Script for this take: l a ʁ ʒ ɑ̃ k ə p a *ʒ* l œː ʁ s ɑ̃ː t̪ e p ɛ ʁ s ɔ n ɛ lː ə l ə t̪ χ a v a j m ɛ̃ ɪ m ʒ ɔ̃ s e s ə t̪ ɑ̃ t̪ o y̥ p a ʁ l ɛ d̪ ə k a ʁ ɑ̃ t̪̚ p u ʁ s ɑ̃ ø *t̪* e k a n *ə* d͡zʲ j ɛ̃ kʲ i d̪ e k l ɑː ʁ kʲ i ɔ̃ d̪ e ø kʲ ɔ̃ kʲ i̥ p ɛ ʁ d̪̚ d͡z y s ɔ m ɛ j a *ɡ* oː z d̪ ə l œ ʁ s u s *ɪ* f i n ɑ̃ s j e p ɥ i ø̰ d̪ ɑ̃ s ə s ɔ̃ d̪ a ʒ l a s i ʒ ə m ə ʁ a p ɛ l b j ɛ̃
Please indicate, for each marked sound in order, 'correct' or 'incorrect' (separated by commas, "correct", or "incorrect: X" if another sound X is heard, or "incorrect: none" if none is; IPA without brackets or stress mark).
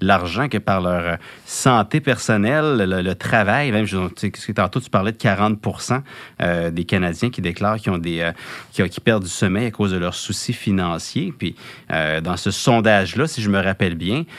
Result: incorrect: ʁ, incorrect: d̪, incorrect: a, incorrect: k, incorrect: i